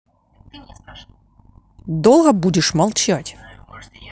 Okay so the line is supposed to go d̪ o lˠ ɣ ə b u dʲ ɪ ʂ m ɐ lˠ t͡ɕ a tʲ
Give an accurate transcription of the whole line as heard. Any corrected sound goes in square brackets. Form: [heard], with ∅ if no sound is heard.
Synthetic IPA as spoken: d̪ o lˠ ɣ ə b u dʲ ɪ ʂ m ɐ lˠ t͡ɕ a tʲ